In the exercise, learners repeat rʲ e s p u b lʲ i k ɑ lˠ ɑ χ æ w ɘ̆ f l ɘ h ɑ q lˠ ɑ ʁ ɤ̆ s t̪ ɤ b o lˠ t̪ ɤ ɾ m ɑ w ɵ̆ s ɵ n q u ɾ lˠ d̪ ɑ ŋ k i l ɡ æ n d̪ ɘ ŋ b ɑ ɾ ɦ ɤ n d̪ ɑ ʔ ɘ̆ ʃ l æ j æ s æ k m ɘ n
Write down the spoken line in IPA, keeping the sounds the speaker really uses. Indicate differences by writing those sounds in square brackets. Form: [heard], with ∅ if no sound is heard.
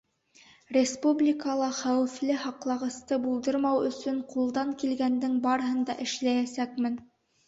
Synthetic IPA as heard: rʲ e s p u b lʲ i k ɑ lˠ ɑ χ æ w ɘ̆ f l ɘ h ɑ q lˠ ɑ ʁ ɤ̆ s t̪ ɤ b [u] lˠ [d̪] ɤ ɾ m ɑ w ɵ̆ s ɵ [ɴ] q u [∅] lˠ d̪ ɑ ŋ k i l ɡ æ n d̪ ɘ ŋ b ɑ ɾ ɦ ɤ n d̪ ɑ ʔ ɘ̆ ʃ l æ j æ s æ k m ɘ n